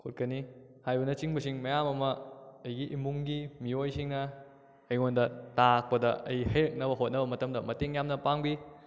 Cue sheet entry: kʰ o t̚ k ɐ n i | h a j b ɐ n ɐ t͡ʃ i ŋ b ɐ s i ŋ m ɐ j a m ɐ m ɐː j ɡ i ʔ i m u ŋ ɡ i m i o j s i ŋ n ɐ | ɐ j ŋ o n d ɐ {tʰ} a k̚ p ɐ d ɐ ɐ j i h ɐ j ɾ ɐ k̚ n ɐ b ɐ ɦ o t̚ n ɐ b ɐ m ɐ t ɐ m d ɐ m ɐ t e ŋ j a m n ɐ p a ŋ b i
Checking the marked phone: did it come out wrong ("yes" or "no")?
yes